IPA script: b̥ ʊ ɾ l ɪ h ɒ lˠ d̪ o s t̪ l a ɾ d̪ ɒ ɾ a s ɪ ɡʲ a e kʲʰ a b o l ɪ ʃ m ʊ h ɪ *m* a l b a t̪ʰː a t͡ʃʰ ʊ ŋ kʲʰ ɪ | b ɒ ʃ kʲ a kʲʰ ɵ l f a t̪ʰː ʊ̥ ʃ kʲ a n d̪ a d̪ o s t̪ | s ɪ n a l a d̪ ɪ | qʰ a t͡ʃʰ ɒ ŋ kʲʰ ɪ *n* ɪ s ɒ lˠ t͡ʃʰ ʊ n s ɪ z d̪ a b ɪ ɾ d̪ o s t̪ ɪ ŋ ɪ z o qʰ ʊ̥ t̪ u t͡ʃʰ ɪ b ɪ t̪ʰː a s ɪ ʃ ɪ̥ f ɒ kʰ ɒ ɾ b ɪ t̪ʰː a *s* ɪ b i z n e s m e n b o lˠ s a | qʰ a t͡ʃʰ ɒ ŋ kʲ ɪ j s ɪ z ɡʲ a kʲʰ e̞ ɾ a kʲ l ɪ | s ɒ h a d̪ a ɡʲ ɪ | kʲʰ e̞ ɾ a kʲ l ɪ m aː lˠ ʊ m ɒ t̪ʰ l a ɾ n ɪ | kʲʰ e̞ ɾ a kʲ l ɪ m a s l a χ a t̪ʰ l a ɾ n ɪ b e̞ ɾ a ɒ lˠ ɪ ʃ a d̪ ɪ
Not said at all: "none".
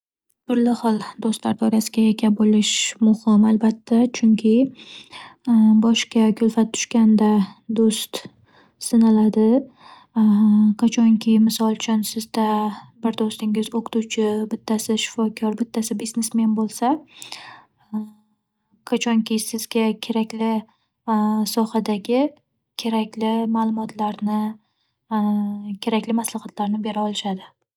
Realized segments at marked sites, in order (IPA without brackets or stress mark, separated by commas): m, m, s